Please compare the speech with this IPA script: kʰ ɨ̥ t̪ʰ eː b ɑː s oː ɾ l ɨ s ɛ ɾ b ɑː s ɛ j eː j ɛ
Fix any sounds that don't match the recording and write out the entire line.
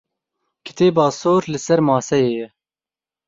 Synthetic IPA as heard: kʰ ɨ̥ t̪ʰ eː b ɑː s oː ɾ l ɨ s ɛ ɾ m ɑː s ɛ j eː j ɛ